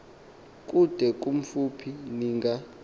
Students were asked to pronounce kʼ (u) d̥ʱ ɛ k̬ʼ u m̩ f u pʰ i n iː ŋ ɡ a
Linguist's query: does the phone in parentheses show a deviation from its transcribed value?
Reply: no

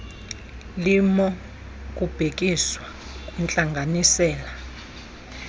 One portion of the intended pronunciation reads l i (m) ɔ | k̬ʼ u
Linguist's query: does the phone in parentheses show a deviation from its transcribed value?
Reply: no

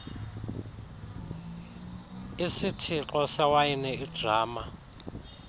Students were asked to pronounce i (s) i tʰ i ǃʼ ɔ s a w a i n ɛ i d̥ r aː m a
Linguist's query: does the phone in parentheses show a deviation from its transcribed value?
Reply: no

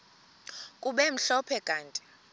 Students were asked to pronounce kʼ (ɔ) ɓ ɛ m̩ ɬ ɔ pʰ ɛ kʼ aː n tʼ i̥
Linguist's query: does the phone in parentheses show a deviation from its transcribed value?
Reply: yes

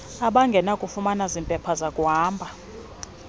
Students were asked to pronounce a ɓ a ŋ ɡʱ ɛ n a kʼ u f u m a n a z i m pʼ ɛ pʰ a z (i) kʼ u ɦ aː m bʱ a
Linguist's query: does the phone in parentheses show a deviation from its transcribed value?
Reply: yes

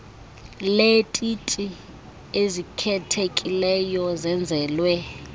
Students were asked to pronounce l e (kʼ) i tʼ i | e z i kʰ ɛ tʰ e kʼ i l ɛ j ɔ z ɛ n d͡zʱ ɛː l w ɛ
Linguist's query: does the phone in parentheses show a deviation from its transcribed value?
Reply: yes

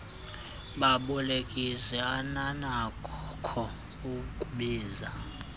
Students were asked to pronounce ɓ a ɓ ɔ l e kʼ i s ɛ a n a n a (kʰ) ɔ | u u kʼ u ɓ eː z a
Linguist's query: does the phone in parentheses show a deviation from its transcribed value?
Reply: no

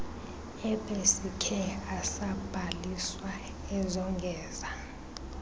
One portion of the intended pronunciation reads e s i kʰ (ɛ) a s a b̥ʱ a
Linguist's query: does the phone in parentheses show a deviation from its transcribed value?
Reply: no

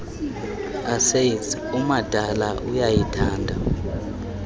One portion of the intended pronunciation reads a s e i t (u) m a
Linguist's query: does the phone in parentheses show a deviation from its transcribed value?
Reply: no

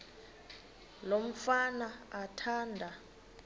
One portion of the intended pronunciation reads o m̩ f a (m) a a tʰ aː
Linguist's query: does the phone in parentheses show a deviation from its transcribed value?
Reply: yes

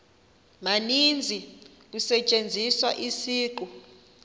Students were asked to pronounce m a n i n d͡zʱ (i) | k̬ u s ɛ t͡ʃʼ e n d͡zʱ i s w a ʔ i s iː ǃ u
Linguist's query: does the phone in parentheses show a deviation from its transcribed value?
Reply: no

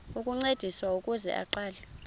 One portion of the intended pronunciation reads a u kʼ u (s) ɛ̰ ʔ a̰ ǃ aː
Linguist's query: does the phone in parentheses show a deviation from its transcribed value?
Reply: yes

